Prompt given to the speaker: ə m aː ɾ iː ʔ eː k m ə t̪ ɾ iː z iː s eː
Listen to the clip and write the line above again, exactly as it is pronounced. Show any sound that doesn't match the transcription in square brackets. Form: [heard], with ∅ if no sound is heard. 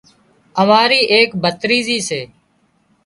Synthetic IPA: ə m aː ɾ iː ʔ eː k [b] ə t̪ ɾ iː z iː s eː